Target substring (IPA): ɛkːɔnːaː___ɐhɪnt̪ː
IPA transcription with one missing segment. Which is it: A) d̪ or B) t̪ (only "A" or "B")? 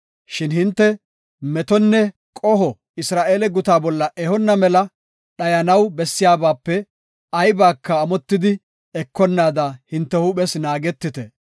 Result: A